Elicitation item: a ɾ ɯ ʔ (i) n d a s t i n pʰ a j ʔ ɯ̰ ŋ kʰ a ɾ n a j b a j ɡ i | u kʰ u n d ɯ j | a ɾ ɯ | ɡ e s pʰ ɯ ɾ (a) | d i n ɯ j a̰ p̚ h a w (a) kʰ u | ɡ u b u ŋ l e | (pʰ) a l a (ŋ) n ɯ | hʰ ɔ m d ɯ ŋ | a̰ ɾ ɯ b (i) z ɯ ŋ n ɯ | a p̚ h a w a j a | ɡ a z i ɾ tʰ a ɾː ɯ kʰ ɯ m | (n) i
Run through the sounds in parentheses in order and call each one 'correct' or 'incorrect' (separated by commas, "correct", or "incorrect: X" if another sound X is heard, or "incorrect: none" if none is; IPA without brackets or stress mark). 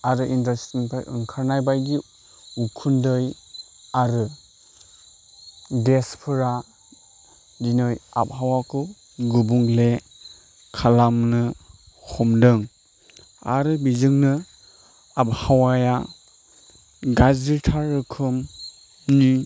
correct, correct, correct, incorrect: kʰ, incorrect: m, correct, correct